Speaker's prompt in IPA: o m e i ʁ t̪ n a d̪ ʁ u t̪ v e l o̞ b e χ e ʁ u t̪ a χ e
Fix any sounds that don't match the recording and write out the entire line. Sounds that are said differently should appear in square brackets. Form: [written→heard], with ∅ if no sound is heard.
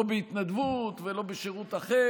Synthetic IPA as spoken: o [m→b] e i [ʁ→∅] t̪ n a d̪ [ʁ→v] u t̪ v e l o̞ b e [χ→ʃ] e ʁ u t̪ a χ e